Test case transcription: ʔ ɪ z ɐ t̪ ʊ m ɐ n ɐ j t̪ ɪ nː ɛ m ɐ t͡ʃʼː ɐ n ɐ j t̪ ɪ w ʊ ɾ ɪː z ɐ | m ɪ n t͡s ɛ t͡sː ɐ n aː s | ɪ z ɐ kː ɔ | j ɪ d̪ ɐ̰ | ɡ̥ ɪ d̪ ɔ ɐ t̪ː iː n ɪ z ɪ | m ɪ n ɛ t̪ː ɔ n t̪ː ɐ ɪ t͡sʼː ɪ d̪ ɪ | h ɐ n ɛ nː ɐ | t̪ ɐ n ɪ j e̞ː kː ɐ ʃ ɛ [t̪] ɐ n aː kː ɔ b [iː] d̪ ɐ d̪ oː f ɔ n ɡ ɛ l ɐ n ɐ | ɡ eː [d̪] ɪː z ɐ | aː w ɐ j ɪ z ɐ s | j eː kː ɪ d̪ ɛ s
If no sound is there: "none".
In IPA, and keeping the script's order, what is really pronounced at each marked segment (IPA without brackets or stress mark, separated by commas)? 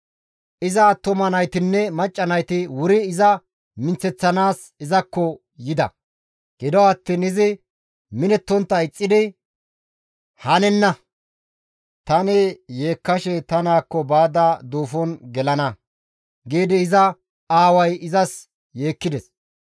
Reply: t̪, aː, d̪